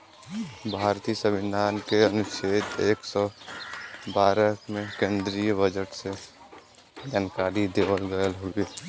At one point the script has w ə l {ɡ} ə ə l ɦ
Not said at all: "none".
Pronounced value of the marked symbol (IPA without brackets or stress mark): ɡ